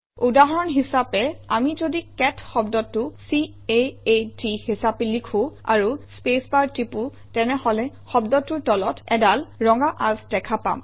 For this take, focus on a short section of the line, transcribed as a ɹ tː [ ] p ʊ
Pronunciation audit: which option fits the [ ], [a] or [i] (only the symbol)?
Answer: i